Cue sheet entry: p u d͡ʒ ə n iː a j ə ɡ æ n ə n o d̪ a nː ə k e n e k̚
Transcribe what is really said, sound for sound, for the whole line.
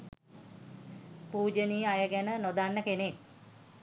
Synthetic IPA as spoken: p uː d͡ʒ ə n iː a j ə ɡ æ n ə n o d̪ a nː ə k e n e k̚